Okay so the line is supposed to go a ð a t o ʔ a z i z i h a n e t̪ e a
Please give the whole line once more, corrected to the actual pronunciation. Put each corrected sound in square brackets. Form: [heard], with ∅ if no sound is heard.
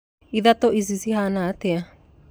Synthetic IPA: [i] ð a t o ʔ [i] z i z i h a n [a] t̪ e a